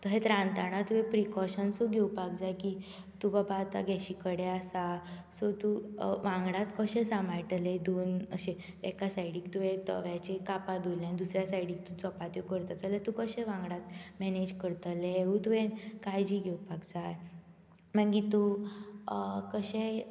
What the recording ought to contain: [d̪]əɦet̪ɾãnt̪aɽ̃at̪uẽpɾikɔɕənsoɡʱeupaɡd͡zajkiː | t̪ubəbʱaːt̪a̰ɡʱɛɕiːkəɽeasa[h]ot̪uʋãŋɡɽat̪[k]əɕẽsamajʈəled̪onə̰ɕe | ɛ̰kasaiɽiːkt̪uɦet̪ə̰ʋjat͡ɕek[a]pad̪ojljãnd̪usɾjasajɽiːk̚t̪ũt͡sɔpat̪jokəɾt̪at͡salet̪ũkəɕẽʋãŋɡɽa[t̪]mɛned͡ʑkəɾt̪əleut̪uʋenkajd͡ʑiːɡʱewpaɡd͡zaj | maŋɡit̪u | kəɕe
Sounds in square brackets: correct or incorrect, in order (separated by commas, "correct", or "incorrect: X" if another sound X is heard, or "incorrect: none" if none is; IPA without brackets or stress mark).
incorrect: t̪, incorrect: s, correct, correct, correct